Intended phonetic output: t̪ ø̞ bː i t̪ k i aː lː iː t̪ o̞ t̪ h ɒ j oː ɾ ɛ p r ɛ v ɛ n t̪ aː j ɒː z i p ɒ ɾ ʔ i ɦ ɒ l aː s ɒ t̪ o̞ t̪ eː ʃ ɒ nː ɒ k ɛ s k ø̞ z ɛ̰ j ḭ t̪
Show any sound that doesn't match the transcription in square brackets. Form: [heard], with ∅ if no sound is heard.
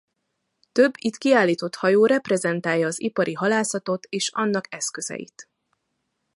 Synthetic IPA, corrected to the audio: t̪ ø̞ bː i t̪ k i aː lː iː t̪ o̞ t̪ h ɒ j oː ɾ ɛ p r ɛ [z] ɛ n t̪ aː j ɒː z i p ɒ ɾ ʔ i ɦ ɒ l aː s ɒ t̪ o̞ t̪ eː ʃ ɒ nː ɒ k ɛ s k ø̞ z ɛ̰ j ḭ t̪